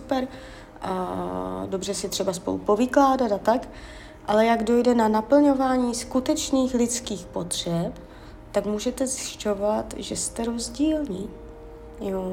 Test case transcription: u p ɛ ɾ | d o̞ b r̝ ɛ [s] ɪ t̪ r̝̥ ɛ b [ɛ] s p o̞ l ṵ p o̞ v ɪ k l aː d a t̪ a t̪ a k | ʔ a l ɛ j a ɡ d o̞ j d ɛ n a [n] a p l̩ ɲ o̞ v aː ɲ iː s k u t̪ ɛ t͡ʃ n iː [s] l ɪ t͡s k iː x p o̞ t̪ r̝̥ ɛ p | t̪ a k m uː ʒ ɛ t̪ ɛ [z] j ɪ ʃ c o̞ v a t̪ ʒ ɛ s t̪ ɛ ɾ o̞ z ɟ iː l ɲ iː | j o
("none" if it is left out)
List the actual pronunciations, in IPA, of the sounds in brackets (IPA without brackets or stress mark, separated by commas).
s, a, n, x, z